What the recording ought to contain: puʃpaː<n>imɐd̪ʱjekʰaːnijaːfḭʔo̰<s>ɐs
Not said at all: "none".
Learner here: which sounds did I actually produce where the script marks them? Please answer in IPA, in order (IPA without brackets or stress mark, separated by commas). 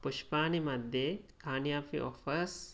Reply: n, f